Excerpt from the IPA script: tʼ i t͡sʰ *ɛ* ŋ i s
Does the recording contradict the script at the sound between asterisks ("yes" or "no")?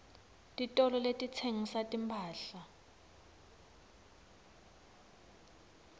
yes